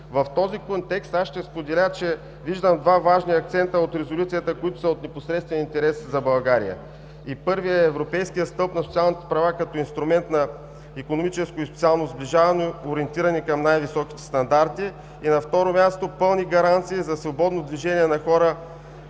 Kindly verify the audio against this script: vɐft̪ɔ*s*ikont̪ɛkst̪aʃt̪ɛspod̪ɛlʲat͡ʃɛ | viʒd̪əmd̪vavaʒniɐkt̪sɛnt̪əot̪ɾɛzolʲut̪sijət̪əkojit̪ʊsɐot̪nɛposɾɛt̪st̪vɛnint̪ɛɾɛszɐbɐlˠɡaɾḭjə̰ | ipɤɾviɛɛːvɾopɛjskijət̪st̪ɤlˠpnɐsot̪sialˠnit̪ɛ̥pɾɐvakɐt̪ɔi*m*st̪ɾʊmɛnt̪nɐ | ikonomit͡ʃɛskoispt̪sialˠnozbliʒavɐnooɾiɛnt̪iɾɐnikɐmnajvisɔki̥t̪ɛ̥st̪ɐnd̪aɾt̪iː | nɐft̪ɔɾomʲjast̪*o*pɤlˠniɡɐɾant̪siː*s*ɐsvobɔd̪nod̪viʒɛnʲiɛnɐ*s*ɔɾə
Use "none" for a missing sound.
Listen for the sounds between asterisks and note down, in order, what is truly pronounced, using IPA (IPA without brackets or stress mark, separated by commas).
z, n, o, z, x